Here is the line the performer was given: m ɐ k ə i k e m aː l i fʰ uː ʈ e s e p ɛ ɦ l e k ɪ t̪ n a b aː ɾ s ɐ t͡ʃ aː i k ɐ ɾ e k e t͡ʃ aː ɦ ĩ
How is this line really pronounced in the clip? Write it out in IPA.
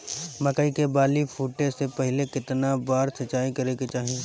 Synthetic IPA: m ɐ k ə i k e b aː l i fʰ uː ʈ e s e p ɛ ɦ l e k ɪ t̪ n a b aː ɾ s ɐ t͡ʃ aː i k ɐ ɾ e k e t͡ʃ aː ɦ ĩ